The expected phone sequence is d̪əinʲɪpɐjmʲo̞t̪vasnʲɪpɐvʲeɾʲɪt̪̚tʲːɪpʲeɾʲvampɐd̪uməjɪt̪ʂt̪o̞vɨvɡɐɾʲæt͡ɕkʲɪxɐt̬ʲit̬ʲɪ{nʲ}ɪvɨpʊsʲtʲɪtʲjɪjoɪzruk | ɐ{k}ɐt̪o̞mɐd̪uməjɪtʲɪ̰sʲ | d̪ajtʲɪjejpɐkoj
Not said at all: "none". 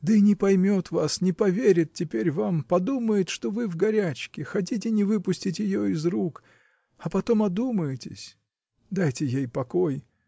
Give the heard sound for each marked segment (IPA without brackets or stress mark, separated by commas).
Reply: nʲ, p